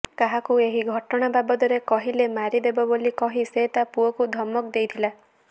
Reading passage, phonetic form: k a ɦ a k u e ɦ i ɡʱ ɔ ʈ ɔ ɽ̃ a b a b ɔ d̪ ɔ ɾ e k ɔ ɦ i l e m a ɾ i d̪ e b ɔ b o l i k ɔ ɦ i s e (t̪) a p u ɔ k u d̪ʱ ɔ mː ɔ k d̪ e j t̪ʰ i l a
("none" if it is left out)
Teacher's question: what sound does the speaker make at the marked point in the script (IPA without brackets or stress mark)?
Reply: t̪